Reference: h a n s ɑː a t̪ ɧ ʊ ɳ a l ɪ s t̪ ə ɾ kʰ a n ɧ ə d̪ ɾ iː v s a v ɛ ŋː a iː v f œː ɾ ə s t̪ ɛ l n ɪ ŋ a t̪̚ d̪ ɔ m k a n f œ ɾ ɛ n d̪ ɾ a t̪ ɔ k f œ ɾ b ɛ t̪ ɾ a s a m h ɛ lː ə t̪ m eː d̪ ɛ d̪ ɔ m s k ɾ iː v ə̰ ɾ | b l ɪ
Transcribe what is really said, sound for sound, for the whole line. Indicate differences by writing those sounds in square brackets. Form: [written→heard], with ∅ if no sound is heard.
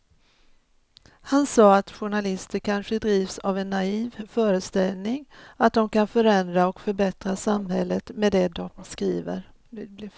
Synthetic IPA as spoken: h a n s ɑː a t̪ ɧ ʊ ɳ a l ɪ s t̪ ə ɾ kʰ a n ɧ ə d̪ ɾ iː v s a v ɛ [ŋː→nː] a iː v f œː ɾ ə s t̪ ɛ l n ɪ ŋ a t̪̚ d̪ ɔ m k a n f œ ɾ ɛ n d̪ ɾ a [t̪→∅] ɔ k f œ ɾ b ɛ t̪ ɾ a s a m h ɛ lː ə t̪ m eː d̪ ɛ d̪ ɔ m s k ɾ iː v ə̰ ɾ | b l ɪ